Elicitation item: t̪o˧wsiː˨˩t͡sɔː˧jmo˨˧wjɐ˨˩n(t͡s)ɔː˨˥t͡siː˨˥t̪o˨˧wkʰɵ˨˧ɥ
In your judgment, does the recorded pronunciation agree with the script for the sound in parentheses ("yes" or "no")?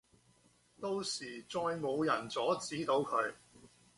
yes